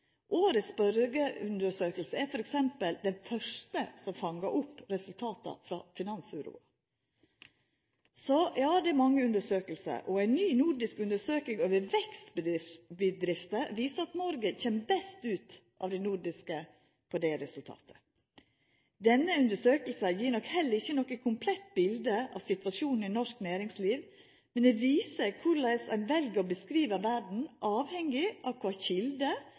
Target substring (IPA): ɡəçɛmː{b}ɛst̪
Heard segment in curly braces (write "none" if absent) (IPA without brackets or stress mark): b